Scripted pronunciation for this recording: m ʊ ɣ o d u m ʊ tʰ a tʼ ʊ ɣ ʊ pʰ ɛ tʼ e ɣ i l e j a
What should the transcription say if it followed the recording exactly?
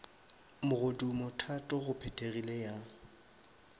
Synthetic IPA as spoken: m ʊ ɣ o d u m ʊ tʰ a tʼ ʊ ɣ ʊ pʰ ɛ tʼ e ɣ i l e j a